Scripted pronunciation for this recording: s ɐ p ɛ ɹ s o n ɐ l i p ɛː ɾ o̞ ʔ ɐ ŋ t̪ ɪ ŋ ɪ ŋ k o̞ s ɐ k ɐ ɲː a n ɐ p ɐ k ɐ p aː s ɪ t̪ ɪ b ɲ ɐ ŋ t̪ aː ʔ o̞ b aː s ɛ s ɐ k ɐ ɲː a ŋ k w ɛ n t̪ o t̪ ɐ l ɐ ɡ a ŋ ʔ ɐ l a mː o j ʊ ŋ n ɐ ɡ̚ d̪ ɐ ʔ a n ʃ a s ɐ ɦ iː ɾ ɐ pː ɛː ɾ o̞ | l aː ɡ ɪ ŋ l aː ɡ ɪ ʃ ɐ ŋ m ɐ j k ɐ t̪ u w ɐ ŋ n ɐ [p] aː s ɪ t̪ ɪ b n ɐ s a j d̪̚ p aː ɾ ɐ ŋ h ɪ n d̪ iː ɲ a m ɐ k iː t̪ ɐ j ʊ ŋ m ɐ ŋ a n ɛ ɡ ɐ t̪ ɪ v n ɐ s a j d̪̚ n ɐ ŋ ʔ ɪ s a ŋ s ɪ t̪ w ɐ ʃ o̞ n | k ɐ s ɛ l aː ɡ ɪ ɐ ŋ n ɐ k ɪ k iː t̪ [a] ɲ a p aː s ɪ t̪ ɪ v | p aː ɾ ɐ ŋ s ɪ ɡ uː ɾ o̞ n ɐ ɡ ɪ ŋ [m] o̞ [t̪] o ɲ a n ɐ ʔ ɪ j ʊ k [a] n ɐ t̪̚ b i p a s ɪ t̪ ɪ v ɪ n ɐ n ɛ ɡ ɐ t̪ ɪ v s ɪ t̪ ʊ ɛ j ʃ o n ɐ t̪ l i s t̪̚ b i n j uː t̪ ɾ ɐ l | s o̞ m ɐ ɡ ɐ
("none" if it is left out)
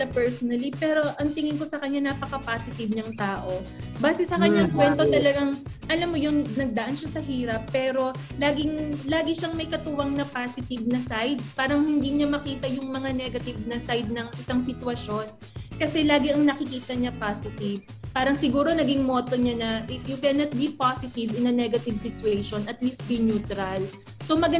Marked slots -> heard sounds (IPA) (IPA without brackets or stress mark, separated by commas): p, ɐ, m, t̪, ɛ